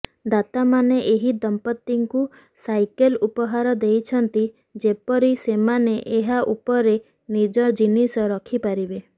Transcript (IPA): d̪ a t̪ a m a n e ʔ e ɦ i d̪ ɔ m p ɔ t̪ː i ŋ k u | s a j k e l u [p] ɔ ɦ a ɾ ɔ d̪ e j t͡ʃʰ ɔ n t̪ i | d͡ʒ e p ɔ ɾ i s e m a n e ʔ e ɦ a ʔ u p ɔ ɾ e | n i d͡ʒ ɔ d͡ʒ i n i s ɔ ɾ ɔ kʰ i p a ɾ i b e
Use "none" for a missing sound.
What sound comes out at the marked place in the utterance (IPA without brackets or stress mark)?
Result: p